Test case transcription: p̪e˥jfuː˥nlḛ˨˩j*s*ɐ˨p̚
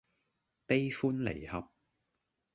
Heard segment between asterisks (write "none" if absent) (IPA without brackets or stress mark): h